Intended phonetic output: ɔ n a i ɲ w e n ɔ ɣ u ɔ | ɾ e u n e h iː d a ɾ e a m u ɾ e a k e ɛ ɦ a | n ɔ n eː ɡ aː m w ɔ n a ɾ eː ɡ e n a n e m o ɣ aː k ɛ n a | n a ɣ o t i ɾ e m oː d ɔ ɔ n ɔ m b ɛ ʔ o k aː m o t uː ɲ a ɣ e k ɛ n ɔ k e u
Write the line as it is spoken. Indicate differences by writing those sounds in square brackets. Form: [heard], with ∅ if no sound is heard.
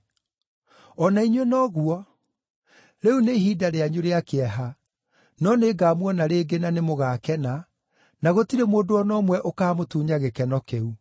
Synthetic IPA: ɔ n a i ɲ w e n ɔ ɣ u ɔ | ɾ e u n e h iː d a ɾ e a [ɲ] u ɾ e a k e ɛ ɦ a | n ɔ n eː ɡ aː m w ɔ n a ɾ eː ɡ e n a n e m o ɣ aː k ɛ n a | n a ɣ o t i ɾ e m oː d [o] ɔ n ɔ m [w] ɛ ʔ o k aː m o t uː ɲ a ɣ e k ɛ n ɔ k e u